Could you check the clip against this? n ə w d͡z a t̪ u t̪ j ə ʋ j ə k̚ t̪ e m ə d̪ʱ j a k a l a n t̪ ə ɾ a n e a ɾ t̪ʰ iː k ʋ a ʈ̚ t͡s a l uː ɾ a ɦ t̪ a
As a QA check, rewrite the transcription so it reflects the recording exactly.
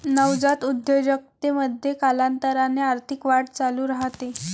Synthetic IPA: n ə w d͡z a t̪ u d̪ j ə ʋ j ə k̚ t̪ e m ə d̪ʱ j e k a l a n t̪ ə ɾ a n e a ɾ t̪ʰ i k ʋ a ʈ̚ t͡s a l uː ɾ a ɦ t̪ e